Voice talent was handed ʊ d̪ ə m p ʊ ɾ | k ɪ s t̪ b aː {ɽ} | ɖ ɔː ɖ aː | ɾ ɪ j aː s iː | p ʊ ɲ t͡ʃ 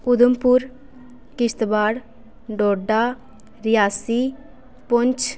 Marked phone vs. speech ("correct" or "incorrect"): correct